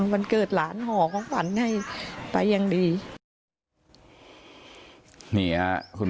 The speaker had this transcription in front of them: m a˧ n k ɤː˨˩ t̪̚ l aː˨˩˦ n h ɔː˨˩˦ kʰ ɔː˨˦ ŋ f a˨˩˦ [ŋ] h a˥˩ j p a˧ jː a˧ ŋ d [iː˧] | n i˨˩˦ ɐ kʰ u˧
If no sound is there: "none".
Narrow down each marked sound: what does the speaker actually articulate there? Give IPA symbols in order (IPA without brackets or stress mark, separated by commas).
n, iː˧